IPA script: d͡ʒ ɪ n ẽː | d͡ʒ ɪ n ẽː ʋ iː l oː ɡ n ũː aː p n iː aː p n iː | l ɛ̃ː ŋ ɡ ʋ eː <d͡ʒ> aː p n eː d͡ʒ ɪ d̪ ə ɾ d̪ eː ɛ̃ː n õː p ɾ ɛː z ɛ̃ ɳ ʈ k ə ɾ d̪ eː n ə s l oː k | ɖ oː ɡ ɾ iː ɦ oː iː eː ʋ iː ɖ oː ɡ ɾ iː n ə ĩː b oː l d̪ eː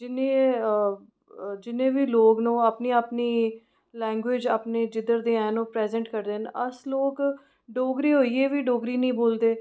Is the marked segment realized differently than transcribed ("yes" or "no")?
no